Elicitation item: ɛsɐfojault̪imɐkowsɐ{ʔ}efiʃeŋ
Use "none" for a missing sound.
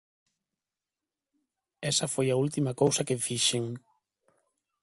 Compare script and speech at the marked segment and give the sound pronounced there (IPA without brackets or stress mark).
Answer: k